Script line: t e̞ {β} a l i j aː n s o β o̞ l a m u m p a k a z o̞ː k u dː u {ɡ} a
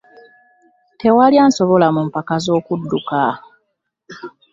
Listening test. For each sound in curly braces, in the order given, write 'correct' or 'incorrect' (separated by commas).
incorrect, incorrect